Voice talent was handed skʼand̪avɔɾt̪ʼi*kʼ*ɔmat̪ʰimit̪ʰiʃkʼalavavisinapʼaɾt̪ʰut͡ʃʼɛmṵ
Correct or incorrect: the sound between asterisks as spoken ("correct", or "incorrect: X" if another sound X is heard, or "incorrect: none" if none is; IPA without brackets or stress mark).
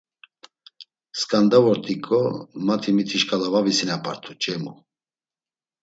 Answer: correct